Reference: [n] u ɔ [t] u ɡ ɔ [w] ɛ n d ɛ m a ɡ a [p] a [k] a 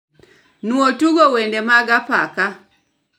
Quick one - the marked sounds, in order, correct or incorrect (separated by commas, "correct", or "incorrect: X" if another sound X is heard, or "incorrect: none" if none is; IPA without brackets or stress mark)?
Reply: correct, correct, correct, correct, correct